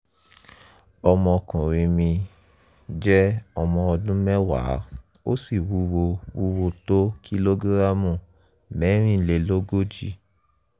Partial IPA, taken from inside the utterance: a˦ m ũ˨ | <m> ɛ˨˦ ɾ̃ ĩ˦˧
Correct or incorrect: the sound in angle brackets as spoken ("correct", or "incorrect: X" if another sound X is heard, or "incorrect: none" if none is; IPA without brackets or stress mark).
correct